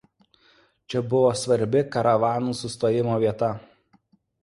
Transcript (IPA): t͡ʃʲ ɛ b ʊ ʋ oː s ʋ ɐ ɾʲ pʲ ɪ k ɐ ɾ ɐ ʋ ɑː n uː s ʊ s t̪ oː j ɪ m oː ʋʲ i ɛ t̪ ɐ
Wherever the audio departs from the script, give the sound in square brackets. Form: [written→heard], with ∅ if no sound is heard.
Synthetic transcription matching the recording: t͡ʃʲ ɛ b ʊ ʋ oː s ʋ ɐ ɾʲ [pʲ→bʲ] ɪ k ɐ ɾ ɐ ʋ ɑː n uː s ʊ s t̪ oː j ɪ m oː ʋʲ i ɛ t̪ ɐ

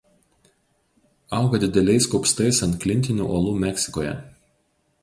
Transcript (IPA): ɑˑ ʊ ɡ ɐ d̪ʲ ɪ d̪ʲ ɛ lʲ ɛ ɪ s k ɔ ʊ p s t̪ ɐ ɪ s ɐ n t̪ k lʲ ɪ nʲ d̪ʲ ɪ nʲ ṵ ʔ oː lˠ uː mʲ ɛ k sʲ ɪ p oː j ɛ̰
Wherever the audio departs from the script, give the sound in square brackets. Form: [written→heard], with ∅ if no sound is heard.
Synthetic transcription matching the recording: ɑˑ ʊ ɡ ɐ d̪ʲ ɪ d̪ʲ ɛ lʲ ɛ ɪ s k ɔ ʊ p s t̪ ɐ ɪ s ɐ n t̪ k lʲ ɪ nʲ [d̪ʲ→t̪ʲ] ɪ nʲ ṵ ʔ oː lˠ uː mʲ ɛ k sʲ ɪ [p→k] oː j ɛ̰

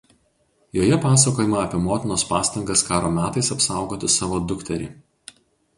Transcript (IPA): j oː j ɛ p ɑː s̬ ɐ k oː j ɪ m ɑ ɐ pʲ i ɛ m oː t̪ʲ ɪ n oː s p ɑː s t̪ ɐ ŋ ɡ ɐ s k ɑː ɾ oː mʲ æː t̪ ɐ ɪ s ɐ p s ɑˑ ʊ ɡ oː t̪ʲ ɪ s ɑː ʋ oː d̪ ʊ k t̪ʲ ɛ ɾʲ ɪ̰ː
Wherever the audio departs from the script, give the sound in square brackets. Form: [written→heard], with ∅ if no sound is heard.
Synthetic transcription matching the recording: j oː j ɛ p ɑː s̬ ɐ k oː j ɪ m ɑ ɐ pʲ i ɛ m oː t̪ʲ ɪ n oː s p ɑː s t̪ ɐ ŋ ɡ ɐ s k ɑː ɾ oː mʲ æː t̪ ɐ ɪ s ɐ p s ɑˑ ʊ ɡ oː t̪ʲ ɪ s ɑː ʋ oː d̪ ʊ k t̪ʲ ɛ ɾʲ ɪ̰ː

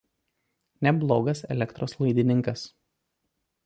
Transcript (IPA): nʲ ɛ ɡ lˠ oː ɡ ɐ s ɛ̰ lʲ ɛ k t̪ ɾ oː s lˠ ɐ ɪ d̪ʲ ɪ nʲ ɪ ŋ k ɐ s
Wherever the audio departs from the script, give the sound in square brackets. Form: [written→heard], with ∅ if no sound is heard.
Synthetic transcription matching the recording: nʲ ɛ [ɡ→b] lˠ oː ɡ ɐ s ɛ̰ lʲ ɛ k t̪ ɾ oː s lˠ ɐ ɪ d̪ʲ ɪ nʲ ɪ ŋ k ɐ s

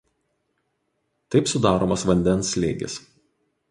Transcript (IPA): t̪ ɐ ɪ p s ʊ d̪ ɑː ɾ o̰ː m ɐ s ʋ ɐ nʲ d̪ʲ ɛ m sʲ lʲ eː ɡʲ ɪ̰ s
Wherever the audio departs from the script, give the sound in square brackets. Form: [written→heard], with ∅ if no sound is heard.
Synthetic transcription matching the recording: t̪ ɐ ɪ p s ʊ d̪ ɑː ɾ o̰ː m ɐ s ʋ ɐ nʲ d̪ʲ ɛ [m→n] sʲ lʲ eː ɡʲ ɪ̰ s

